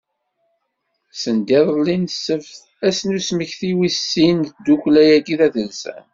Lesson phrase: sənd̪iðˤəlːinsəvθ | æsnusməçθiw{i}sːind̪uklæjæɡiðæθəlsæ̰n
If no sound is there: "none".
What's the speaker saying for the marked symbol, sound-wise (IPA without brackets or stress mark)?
i